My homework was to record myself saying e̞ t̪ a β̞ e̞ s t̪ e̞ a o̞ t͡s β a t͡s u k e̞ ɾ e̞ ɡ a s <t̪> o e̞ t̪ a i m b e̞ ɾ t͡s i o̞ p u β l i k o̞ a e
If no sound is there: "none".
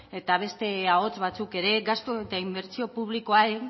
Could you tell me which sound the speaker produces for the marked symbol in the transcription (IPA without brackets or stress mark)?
t̪